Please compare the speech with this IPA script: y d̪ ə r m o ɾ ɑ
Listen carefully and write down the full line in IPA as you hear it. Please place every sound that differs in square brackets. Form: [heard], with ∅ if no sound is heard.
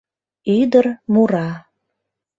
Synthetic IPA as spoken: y d̪ ə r m [u] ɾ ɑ

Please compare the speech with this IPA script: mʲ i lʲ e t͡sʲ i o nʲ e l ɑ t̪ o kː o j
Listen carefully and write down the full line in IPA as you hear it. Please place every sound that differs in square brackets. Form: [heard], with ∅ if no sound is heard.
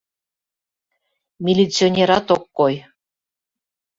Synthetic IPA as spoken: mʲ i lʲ [i] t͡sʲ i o nʲ e [ɾ] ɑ t̪ o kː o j

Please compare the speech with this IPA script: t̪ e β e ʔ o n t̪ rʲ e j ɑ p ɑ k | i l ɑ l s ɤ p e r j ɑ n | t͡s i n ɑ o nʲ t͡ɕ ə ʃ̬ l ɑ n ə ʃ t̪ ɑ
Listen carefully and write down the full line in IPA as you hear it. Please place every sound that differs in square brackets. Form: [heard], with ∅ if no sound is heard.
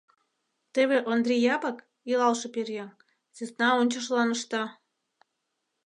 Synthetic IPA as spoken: t̪ e β e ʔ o n [d̪] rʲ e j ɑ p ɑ k | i l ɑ l [ʃ] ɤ p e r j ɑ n | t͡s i n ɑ o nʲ t͡ɕ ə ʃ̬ l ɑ n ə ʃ t̪ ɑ

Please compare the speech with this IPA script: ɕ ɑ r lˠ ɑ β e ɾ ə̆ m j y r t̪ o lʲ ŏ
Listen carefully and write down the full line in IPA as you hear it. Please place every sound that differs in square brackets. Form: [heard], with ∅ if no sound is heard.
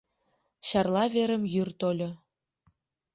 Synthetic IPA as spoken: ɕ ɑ r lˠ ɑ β e ɾ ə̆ m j y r t̪ o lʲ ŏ

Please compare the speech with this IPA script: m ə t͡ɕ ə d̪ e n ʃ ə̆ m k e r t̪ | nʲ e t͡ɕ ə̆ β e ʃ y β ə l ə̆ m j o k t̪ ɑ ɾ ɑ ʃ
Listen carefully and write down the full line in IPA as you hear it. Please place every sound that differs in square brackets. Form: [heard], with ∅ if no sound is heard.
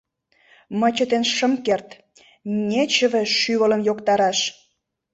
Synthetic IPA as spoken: m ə t͡ɕ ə [t̪] e n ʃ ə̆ m k e r t̪ | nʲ e t͡ɕ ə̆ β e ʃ y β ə l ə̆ m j o k t̪ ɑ ɾ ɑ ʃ

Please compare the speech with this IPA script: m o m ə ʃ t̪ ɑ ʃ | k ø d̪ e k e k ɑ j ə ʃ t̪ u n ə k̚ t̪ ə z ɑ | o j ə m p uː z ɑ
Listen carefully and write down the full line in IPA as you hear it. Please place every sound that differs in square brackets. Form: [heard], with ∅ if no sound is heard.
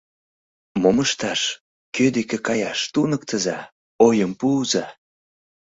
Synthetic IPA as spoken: m o m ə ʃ t̪ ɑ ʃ | k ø d̪ e k e k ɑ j [ɑ] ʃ t̪ u n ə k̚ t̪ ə z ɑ | o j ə m p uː z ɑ

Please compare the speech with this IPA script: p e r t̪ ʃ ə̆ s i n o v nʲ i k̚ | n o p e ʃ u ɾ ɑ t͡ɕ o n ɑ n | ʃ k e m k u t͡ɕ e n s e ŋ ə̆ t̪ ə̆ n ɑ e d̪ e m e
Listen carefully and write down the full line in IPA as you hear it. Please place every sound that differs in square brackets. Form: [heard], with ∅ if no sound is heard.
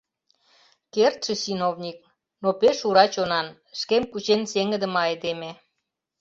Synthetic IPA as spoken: [k] e r t̪ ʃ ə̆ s i n o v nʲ i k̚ | n o p e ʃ u ɾ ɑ t͡ɕ o n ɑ n | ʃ k e m k u t͡ɕ e n s e ŋ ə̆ [d̪] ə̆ [m] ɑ e d̪ e m e

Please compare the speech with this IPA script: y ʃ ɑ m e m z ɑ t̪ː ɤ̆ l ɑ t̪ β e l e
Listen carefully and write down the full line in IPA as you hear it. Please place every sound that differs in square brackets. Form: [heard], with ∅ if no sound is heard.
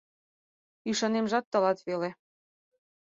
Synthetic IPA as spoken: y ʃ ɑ [n] e m [ʒ] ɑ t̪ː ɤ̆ l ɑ t̪ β e l e

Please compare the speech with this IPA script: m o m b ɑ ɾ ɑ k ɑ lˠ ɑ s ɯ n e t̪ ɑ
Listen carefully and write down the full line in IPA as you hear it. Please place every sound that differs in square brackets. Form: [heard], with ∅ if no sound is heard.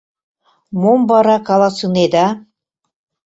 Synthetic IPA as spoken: m o m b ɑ ɾ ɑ k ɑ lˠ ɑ s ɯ n e [d̪] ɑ

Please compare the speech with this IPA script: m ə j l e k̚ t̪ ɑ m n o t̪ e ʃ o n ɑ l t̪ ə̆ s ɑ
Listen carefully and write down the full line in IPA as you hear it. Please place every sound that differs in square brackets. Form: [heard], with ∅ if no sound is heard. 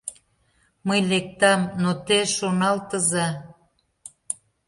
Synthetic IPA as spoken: m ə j l e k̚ t̪ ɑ m n o t̪ e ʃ o n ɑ l t̪ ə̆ [z] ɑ

